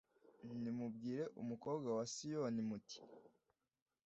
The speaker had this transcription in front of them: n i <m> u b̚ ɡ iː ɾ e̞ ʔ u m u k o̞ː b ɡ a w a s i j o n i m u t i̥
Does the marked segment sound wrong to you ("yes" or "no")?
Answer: no